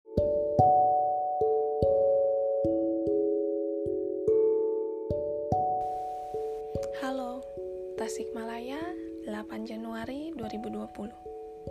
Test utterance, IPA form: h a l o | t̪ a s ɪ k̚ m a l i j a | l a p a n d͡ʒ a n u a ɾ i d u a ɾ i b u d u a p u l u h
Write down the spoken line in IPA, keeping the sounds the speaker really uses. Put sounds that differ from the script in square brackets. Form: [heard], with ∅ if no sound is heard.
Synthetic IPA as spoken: h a l o | t̪ a s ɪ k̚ m a l [a] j a | l a p a n d͡ʒ a n u a ɾ i d u a ɾ i b u d u a p u l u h